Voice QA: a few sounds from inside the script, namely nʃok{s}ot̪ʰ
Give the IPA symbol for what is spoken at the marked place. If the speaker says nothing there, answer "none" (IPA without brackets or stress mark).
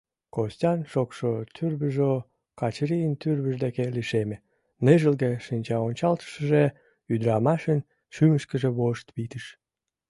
ʃ